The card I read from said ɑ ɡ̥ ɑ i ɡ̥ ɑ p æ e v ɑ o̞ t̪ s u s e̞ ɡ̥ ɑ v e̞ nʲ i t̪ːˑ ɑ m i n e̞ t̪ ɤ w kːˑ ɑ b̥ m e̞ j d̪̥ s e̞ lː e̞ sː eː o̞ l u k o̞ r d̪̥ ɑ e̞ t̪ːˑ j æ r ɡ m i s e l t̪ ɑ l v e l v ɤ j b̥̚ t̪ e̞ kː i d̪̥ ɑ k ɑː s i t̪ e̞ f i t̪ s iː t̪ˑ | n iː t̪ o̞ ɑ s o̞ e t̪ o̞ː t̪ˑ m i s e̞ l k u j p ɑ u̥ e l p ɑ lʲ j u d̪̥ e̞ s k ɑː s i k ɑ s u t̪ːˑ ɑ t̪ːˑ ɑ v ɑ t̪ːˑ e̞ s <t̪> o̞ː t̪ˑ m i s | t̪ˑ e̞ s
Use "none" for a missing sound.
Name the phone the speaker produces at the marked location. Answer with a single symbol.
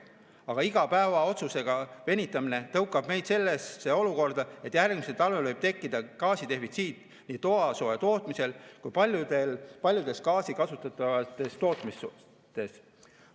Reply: t̪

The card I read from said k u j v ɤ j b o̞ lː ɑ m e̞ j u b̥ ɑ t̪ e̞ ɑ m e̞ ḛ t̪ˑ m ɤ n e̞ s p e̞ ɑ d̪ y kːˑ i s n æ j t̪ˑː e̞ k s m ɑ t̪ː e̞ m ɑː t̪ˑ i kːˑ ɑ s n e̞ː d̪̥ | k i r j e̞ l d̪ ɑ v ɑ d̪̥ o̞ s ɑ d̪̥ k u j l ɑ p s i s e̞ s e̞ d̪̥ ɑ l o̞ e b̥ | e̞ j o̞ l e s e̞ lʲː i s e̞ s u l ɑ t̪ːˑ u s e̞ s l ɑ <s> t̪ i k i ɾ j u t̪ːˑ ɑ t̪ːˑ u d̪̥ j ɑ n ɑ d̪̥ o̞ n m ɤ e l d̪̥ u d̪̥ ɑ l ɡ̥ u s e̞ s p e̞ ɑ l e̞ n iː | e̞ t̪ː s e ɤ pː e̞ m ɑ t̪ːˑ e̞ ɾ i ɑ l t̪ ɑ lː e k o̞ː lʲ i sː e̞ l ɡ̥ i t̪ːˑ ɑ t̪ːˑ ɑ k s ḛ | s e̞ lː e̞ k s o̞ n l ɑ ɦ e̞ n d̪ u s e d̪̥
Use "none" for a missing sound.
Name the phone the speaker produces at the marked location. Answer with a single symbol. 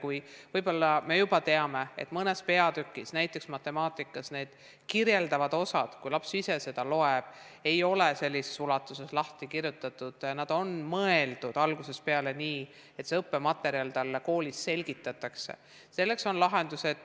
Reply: h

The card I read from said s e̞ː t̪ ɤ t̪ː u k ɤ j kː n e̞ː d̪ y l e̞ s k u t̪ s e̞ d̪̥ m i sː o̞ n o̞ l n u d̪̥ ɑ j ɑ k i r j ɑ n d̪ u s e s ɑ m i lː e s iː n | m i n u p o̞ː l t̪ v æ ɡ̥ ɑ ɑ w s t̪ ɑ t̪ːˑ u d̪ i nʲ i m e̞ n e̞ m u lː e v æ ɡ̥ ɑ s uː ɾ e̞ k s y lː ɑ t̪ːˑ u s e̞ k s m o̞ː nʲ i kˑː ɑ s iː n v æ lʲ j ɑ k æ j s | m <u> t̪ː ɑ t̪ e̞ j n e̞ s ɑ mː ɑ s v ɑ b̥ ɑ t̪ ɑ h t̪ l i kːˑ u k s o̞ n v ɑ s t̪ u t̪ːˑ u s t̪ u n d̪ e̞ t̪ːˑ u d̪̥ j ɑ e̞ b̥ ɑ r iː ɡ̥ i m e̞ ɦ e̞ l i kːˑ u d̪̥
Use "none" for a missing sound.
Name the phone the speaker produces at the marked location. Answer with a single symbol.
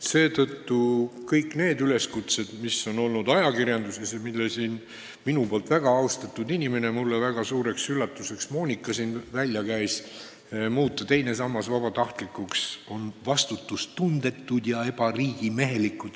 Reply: uː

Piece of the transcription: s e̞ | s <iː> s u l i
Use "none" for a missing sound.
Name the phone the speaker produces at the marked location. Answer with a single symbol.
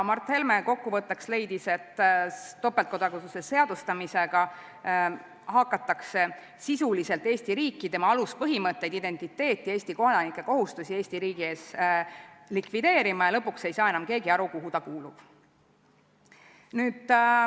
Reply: i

